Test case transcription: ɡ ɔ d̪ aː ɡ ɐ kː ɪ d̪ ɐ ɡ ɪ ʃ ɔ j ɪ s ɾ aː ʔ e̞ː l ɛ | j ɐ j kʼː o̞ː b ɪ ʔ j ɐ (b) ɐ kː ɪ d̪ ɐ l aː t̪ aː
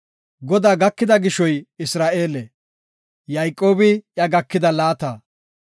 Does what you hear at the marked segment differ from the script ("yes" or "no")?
yes